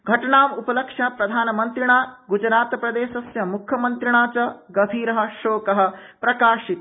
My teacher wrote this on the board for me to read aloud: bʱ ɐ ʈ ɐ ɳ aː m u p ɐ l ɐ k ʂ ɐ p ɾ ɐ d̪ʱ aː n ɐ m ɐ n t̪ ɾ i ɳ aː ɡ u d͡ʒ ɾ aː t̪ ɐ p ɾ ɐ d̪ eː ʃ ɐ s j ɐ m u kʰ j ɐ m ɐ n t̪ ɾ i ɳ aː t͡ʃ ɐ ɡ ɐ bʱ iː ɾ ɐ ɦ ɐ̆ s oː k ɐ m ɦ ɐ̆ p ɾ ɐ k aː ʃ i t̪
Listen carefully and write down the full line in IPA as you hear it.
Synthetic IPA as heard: ɡʱ ɐ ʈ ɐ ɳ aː m u p ɐ l ɐ k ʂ ɐ p ɾ ɐ d̪ʱ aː n ɐ m ɐ n t̪ ɾ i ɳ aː ɡ u d͡ʒ ɾ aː t̪ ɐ p ɾ ɐ d̪ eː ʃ ɐ s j ɐ m u kʰ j ɐ m ɐ n t̪ ɾ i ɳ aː t͡ʃ ɐ ɡ ɐ bʱ iː ɾ ɐ ɦ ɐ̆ ʃ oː k ɐ ɦ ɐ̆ p ɾ ɐ k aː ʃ i t̪